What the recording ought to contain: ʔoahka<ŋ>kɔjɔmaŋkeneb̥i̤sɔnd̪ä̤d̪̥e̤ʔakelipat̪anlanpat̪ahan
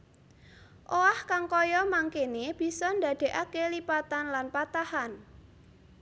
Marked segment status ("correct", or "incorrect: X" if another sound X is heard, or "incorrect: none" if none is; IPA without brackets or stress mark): correct